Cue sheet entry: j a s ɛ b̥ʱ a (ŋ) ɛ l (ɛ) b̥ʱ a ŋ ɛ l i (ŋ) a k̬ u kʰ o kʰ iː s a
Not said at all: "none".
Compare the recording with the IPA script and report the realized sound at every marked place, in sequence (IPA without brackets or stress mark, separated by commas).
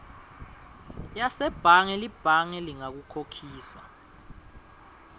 ŋ, i, ŋ